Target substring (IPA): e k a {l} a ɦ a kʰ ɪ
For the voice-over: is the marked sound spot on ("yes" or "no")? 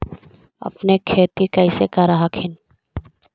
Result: no